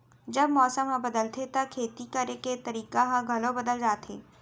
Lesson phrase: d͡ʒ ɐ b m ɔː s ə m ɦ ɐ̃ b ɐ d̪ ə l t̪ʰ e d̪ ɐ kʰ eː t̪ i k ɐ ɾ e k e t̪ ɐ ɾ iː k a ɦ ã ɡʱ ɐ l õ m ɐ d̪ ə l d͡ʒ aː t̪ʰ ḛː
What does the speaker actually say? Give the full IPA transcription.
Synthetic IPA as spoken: d͡ʒ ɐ b m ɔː s ə m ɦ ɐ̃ b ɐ d̪ ə l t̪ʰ e t̪ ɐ kʰ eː t̪ i k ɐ ɾ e k e t̪ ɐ ɾ iː k a ɦ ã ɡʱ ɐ l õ b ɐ d̪ ə l d͡ʒ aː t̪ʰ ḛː